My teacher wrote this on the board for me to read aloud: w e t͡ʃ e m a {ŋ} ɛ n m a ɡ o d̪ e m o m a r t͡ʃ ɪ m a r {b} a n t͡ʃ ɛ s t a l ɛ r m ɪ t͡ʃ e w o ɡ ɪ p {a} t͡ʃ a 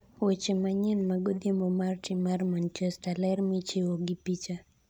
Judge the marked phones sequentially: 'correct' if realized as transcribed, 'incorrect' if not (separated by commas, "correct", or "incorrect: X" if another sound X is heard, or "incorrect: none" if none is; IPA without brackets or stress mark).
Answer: incorrect: ɲ, incorrect: m, incorrect: i